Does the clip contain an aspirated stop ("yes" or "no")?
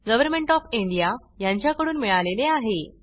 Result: no